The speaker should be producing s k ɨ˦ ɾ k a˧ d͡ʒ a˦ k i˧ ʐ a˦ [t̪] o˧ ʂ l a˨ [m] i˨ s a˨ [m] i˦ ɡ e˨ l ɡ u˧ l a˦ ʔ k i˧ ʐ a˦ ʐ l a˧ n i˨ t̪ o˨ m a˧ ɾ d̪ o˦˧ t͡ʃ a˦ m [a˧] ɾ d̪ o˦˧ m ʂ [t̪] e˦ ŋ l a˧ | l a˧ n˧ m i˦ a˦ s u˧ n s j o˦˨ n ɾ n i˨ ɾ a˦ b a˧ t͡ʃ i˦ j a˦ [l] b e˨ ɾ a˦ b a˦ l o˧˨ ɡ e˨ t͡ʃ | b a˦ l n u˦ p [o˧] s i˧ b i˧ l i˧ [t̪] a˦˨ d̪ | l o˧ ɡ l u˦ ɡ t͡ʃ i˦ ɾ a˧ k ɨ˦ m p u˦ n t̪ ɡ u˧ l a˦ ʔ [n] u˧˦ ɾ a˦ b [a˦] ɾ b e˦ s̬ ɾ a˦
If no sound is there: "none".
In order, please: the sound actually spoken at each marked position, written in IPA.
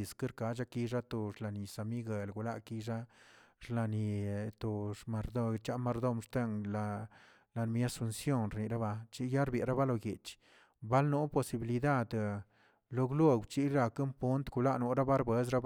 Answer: t̪, n, m, a˧, t̪, ɾ, o˧, d̪, n, a˦

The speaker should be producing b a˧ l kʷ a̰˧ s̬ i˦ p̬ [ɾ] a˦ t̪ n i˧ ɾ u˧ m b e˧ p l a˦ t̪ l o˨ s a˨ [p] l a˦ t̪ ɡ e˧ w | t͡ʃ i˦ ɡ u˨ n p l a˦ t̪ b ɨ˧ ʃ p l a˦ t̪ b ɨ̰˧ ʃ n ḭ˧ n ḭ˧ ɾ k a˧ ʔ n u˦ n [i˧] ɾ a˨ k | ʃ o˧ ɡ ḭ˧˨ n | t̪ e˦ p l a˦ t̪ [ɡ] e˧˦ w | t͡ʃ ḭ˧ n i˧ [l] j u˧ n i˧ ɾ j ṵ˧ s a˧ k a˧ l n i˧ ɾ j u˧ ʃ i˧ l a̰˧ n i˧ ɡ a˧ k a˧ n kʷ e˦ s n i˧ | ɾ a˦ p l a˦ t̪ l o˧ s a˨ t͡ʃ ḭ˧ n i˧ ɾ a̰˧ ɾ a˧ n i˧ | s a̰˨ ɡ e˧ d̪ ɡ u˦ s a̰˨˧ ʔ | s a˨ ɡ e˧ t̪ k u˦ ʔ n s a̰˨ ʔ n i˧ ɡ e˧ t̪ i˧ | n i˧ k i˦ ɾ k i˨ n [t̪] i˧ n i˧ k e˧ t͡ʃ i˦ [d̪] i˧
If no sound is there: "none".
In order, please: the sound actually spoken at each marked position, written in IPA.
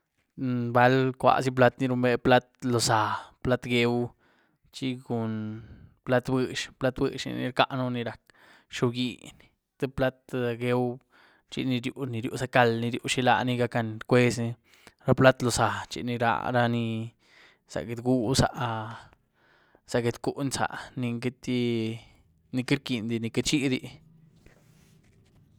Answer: l, p, i˧, ɡ, ɾ, d̪, d̪

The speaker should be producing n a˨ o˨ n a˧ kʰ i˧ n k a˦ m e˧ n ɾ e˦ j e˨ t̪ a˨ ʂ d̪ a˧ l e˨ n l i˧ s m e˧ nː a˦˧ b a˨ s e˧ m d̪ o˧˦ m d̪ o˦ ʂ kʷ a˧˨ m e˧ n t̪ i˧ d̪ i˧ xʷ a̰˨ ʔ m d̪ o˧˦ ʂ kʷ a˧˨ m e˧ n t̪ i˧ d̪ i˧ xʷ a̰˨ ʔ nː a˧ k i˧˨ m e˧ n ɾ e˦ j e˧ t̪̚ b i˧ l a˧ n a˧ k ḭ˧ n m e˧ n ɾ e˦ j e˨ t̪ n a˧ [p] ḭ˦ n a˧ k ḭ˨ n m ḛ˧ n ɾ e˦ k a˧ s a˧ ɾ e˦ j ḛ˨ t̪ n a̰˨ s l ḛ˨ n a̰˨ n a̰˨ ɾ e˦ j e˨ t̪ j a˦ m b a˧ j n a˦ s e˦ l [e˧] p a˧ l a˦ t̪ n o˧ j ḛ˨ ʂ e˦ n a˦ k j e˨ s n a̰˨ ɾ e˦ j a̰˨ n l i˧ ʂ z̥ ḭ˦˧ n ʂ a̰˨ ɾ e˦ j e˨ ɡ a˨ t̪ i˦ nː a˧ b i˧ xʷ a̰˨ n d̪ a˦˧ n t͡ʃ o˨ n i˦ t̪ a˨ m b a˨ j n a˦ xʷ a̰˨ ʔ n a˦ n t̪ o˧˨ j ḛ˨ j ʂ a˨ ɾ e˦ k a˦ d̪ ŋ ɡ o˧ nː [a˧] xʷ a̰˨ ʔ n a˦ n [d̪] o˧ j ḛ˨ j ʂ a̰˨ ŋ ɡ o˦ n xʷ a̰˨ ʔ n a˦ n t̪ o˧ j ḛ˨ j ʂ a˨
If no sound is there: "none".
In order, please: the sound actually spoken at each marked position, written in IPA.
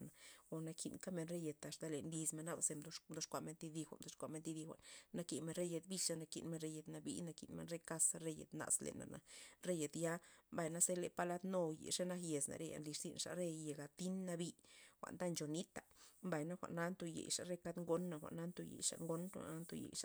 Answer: b, e˧, a˧, t̪

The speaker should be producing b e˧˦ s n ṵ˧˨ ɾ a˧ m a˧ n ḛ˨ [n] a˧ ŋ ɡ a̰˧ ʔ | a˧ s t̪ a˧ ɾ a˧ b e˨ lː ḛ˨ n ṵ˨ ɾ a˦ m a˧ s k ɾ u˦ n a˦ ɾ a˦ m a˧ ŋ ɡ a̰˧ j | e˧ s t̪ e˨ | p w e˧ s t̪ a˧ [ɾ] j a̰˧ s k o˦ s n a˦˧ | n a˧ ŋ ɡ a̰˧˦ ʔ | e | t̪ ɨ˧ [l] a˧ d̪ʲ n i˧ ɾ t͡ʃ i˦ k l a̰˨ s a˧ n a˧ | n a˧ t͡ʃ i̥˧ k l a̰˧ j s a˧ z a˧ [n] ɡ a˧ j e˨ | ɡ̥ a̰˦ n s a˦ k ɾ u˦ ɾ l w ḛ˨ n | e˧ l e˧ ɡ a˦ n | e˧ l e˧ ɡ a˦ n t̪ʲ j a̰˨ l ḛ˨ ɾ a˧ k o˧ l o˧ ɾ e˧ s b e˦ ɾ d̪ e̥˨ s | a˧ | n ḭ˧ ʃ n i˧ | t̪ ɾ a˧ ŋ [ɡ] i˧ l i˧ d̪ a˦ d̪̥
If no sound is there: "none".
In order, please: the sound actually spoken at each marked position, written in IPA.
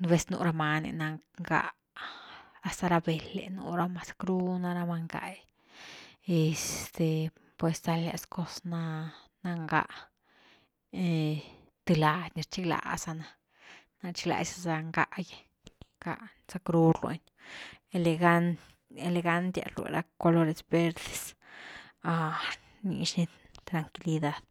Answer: n, l, l, ŋ, k

